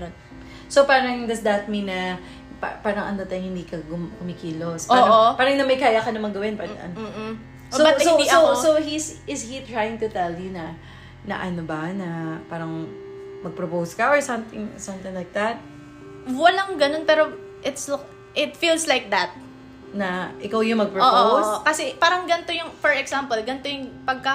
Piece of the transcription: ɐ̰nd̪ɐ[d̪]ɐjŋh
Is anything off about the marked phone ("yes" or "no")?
yes